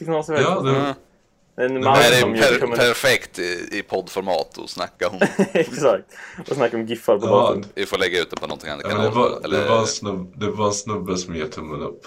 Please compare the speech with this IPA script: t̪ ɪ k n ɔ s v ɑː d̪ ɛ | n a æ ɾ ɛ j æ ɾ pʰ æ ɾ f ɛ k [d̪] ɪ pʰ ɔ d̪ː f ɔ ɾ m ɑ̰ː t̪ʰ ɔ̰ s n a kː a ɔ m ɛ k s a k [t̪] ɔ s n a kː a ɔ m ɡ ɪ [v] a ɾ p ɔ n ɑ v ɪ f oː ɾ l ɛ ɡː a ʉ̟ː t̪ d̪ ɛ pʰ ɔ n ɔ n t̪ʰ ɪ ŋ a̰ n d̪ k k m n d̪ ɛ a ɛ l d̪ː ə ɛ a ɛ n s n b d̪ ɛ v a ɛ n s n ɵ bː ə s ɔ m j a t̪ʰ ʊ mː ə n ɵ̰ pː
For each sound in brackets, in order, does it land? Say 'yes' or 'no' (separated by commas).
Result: no, yes, no